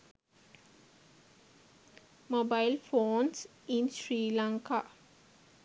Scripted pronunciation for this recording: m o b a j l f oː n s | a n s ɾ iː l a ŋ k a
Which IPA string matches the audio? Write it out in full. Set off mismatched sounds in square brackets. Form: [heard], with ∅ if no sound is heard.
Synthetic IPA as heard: m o b a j l f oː n s | [i] n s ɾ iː l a ŋ k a